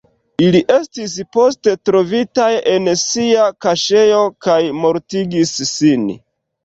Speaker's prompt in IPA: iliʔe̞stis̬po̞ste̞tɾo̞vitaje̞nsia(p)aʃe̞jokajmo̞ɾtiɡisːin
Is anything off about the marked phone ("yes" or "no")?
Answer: yes